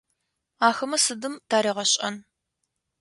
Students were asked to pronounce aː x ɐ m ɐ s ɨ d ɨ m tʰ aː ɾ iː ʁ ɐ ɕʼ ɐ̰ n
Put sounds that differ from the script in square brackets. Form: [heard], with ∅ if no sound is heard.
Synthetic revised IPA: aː x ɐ m ɐ s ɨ d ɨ m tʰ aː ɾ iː ʁ ɐ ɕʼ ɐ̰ n